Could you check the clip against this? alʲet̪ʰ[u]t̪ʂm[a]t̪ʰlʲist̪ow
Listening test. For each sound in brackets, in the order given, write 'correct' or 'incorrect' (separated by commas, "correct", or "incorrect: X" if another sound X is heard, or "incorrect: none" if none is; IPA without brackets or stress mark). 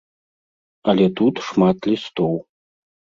correct, correct